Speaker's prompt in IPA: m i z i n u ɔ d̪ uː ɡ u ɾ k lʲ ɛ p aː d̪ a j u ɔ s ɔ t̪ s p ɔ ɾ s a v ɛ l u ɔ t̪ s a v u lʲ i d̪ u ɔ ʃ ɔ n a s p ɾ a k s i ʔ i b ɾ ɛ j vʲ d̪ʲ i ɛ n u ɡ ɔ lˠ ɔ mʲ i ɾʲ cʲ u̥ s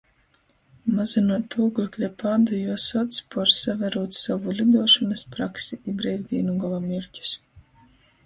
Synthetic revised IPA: m a z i n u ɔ t̪ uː ɡ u k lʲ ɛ p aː d̪ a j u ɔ s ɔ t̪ s p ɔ ɾ s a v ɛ ɾ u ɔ t̪ s a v u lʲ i d̪ u ɔ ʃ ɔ n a s p ɾ a k s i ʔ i b ɾ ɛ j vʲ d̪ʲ i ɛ n u ɡ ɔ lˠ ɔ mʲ i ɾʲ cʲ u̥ s